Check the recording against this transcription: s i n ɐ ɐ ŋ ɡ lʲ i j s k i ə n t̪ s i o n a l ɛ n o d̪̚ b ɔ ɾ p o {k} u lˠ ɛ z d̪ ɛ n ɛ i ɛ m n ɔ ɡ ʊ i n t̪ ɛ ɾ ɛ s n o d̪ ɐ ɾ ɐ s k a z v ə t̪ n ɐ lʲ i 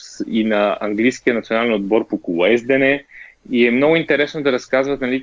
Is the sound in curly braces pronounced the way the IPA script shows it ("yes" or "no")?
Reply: yes